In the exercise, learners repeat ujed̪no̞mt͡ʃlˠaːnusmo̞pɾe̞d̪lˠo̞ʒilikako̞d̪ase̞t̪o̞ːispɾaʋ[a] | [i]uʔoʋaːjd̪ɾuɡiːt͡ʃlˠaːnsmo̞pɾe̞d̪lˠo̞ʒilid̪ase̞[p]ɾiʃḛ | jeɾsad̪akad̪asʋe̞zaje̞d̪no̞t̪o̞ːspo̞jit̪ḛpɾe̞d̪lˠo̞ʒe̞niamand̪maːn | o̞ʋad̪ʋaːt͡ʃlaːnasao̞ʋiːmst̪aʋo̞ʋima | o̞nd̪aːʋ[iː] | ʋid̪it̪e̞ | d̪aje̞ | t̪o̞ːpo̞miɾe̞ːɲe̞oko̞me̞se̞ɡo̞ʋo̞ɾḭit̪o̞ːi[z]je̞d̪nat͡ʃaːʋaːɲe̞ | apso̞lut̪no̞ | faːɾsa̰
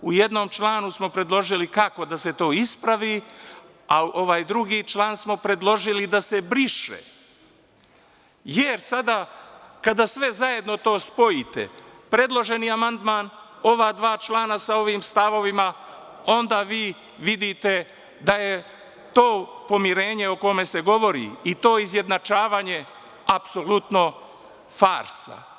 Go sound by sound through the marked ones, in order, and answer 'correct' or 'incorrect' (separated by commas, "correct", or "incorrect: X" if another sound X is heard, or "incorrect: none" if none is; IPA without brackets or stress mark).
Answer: incorrect: i, incorrect: a, incorrect: b, correct, correct